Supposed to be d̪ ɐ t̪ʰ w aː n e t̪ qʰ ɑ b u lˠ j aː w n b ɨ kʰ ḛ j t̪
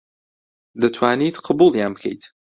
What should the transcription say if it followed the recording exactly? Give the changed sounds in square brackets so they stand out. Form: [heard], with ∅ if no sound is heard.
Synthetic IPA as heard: d̪ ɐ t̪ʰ w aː n [i] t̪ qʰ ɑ b u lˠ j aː [∅] n b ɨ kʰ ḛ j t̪